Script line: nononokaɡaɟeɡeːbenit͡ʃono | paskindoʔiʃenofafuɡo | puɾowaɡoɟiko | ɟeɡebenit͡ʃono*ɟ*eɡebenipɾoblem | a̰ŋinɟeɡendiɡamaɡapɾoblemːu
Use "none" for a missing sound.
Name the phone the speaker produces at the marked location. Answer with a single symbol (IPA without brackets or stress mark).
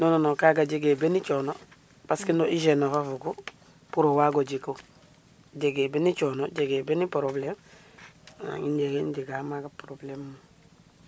ɟ